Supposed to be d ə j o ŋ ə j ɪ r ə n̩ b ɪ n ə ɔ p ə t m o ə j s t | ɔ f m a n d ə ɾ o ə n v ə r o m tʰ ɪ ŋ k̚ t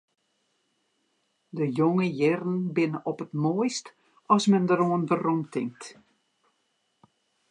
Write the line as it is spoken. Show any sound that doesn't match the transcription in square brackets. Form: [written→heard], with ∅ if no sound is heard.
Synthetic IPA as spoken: d ə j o ŋ ə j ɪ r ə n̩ b ɪ n ə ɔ p ə t m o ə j s t | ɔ [f→s] m [a→ɛ] n d ə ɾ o ə n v ə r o m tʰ ɪ ŋ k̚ t